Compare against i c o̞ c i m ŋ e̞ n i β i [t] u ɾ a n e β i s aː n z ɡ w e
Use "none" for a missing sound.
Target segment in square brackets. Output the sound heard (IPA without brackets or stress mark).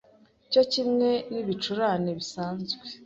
t͡ʃ